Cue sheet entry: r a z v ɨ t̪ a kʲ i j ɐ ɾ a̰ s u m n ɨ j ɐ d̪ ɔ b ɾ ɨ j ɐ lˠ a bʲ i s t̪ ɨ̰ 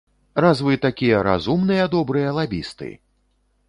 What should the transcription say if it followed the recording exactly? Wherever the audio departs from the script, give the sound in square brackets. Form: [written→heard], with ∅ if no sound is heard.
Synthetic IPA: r a z v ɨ t̪ a kʲ i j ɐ ɾ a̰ [s→z] u m n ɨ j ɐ d̪ ɔ b ɾ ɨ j ɐ lˠ a bʲ i s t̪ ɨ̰